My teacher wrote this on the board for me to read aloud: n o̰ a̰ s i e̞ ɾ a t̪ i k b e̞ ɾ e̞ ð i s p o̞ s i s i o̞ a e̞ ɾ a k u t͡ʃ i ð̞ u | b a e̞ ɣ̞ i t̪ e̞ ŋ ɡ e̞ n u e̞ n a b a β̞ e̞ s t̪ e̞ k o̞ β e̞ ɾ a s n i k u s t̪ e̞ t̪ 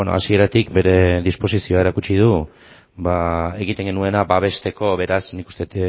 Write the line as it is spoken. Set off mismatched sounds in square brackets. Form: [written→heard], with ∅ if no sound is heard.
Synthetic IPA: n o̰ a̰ s i e̞ ɾ a t̪ i k b e̞ ɾ e̞ ð i s p o̞ s i s i o̞ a e̞ ɾ a k u t͡ʃ i ð̞ u | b a e̞ ɣ̞ i t̪ e̞ ŋ ɡ e̞ n u e̞ n a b a β̞ e̞ s t̪ e̞ k o̞ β e̞ ɾ a s n i k u s t̪ e̞ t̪